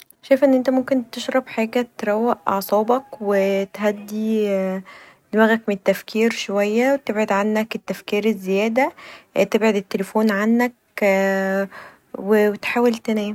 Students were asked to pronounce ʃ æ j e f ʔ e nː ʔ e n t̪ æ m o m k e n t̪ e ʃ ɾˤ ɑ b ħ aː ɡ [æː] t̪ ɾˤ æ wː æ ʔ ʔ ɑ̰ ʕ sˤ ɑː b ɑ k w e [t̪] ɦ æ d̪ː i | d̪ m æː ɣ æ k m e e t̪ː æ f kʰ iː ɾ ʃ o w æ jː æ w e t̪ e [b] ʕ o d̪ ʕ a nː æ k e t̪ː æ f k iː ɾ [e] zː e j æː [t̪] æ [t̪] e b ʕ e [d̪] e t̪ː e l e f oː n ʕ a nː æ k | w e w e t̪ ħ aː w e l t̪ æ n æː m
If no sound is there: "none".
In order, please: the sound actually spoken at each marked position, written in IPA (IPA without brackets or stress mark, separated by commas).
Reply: æ, t̪, b, e, d̪, t̪, d̪